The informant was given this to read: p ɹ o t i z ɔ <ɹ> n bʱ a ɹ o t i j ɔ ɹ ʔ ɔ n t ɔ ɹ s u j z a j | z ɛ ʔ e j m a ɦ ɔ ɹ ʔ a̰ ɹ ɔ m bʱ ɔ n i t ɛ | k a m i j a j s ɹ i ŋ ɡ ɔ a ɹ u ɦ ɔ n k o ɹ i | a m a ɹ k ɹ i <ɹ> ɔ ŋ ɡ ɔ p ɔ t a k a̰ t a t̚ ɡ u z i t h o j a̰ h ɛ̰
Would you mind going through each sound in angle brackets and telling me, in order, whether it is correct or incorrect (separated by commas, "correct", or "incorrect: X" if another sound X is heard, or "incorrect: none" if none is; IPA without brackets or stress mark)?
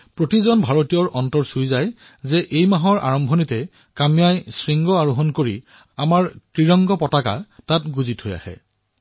incorrect: none, correct